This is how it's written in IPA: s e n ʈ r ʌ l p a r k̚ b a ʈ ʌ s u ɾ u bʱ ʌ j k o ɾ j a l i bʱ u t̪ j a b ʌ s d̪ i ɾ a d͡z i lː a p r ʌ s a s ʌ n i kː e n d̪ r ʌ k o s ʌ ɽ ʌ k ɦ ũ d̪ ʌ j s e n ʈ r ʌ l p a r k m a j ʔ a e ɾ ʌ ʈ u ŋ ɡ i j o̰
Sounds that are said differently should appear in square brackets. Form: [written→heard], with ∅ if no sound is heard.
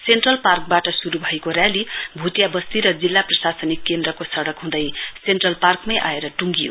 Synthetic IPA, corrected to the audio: s e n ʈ r ʌ l p a r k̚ b a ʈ ʌ s u ɾ u bʱ ʌ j k o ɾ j a l i bʱ u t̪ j a b ʌ s [d̪→t̪] i ɾ [a→ʌ] d͡z i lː a p r ʌ s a s ʌ n i kː e n d̪ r ʌ k o s ʌ ɽ ʌ k ɦ ũ d̪ ʌ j s e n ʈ r ʌ l p a r k m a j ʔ a e ɾ ʌ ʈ u ŋ ɡ i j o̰